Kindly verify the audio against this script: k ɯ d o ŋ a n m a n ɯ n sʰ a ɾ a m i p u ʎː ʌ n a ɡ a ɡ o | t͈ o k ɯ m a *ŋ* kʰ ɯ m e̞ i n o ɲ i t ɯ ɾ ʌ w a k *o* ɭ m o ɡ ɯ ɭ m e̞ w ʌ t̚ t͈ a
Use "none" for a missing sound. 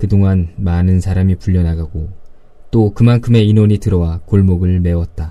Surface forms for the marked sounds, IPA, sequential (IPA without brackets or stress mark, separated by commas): n, o